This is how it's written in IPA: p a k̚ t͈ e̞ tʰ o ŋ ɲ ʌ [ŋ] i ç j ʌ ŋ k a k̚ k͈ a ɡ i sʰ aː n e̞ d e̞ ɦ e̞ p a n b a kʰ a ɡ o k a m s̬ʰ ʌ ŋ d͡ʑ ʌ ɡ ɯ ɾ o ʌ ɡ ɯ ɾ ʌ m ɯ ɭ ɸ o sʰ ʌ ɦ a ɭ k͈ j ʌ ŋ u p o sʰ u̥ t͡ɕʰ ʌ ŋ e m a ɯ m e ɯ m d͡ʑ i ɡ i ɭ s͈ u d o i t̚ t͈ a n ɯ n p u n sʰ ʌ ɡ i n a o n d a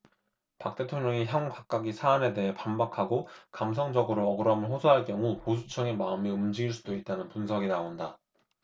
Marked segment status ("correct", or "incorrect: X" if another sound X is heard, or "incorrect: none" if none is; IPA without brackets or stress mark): correct